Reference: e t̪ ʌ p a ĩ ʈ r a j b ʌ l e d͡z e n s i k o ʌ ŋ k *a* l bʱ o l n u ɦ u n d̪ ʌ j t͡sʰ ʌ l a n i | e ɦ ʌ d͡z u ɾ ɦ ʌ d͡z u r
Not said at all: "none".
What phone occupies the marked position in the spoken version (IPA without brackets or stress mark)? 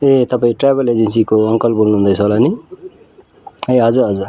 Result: ʌ